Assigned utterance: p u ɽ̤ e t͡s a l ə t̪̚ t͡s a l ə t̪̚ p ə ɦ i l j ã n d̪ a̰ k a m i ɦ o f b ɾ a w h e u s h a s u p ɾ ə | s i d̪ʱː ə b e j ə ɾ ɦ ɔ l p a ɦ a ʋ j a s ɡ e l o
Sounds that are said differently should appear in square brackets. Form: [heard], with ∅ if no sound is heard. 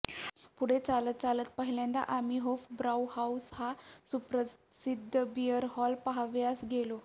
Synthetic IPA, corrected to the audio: p u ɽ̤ e t͡s a l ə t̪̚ t͡s a l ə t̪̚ p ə ɦ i l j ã n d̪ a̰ [ʔ] a m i ɦ o f b ɾ a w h [a] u s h a s u p ɾ ə | s i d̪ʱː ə b [i] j ə ɾ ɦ ɔ l p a ɦ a ʋ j a s ɡ e l o